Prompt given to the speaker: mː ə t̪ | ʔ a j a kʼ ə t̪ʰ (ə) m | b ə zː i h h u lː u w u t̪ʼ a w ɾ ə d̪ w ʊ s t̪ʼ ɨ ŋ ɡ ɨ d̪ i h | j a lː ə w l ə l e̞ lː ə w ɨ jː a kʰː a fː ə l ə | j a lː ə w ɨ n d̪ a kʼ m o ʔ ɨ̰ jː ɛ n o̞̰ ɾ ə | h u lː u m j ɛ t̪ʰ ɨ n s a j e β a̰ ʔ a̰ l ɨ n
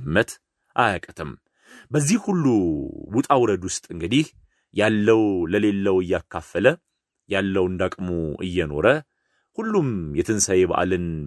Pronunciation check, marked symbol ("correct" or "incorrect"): correct